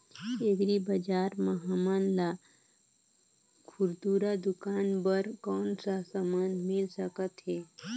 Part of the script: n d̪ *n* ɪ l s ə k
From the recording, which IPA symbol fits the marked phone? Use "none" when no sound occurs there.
m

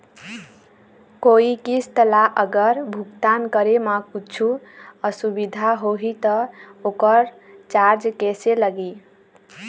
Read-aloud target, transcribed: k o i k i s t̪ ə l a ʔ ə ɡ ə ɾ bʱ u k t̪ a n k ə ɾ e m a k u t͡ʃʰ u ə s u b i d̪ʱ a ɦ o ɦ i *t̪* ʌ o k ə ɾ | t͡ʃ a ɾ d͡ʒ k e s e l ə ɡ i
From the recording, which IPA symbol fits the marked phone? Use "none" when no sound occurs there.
t̪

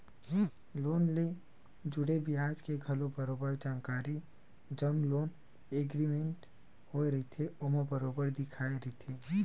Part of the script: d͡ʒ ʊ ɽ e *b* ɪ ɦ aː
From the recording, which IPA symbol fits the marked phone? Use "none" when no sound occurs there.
b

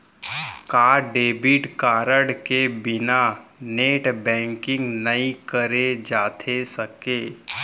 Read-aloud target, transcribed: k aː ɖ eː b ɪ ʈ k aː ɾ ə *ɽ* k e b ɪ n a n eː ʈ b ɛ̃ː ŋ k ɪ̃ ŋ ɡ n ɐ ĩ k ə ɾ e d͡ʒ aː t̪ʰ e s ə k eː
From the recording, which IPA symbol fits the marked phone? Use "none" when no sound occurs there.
ɽ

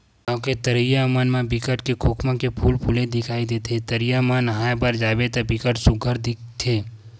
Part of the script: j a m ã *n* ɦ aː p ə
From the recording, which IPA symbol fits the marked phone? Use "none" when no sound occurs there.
n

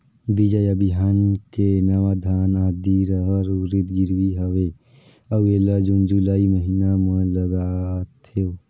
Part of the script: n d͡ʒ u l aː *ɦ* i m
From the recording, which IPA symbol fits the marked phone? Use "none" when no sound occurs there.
none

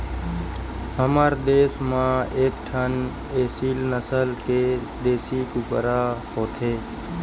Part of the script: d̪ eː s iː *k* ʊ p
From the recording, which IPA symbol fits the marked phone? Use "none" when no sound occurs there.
k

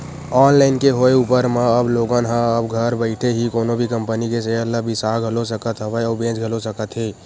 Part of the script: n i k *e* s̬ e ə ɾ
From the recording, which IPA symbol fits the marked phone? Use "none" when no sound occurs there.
e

